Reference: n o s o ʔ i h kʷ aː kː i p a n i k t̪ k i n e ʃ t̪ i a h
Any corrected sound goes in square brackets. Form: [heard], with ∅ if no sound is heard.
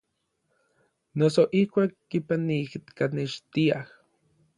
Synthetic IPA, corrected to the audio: n o s o ʔ i h kʷ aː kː i p a n i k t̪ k [a] n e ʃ t̪ i a h